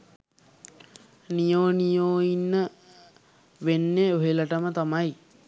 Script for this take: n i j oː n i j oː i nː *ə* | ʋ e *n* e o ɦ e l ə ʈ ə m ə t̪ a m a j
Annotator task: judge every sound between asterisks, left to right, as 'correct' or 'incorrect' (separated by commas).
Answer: correct, incorrect